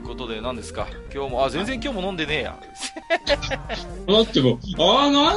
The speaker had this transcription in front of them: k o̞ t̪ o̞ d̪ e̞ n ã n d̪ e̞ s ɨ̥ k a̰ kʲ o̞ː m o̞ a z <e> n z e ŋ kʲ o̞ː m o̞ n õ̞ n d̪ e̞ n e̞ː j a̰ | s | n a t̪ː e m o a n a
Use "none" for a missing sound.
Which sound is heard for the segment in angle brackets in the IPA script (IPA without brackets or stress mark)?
ẽ